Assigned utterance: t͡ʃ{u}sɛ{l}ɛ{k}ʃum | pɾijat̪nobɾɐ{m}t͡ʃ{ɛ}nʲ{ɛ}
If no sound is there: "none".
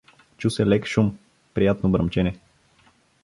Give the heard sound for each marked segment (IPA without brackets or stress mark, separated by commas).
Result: u, l, k, m, ɛ, ɛ